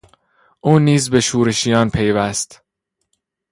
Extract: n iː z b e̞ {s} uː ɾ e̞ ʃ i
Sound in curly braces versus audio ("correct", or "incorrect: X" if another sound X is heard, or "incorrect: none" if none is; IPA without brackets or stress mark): incorrect: ʃ